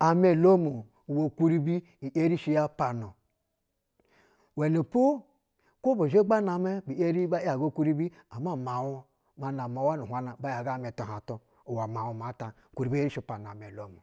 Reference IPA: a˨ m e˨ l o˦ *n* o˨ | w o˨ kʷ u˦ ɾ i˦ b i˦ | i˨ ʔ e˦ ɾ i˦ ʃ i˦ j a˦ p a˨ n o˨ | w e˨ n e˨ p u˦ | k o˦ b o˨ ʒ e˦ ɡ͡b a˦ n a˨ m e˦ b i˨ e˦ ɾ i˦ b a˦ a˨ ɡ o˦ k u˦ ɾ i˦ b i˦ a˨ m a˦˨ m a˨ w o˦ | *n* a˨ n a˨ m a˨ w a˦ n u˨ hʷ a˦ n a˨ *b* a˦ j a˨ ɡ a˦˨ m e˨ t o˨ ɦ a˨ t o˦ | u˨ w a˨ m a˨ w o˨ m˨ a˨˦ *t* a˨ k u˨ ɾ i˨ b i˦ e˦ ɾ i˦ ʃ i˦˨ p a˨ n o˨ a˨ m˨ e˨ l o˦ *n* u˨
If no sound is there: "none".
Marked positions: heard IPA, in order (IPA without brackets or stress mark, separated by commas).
m, m, b, t, m